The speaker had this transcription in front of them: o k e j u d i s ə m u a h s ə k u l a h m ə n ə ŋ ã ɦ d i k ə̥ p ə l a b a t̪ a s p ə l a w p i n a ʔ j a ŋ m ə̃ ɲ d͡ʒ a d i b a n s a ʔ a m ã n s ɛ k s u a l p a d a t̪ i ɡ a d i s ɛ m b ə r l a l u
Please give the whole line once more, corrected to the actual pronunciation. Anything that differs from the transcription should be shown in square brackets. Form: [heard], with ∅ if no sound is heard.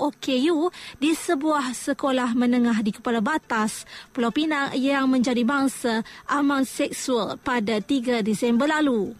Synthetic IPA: o k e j u d i s ə [b] u a h s ə k [o] l a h m ə n ə ŋ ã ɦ d i k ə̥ p [a] l a b a t̪ a s p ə l a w p i n a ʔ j a ŋ m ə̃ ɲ d͡ʒ a d i b a [ŋ] s a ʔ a m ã n s ɛ k s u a l p a d a t̪ i ɡ a d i s ɛ m b ə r l a l u